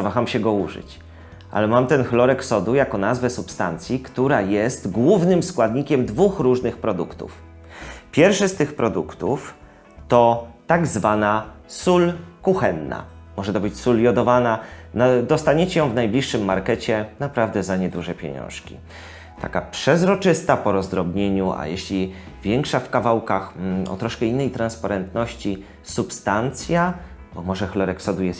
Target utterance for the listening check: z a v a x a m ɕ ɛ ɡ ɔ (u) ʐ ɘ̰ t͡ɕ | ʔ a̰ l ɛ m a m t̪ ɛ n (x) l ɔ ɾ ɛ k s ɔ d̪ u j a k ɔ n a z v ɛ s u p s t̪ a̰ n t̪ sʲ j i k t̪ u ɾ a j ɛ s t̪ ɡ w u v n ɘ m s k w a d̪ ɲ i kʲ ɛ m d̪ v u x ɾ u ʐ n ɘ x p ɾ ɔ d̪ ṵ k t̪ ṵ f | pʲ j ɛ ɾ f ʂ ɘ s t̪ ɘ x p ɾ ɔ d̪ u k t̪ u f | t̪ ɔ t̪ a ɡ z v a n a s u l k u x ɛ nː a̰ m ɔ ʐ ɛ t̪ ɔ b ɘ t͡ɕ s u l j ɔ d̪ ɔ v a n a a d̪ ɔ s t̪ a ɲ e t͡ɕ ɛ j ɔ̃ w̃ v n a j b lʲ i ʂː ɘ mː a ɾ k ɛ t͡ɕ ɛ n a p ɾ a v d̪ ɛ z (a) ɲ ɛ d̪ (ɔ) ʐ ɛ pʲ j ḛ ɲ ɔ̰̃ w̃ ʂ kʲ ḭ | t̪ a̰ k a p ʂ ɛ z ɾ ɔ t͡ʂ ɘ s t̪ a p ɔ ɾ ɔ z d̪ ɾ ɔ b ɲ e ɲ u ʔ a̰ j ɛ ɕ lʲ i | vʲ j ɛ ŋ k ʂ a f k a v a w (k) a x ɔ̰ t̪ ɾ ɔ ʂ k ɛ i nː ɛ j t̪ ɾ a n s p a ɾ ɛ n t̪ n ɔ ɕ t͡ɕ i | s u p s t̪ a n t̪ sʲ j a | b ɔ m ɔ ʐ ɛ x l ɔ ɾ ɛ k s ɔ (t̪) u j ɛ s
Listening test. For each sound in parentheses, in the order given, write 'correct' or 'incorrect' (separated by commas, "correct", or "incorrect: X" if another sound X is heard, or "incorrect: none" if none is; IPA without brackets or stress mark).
correct, correct, correct, incorrect: u, correct, incorrect: d̪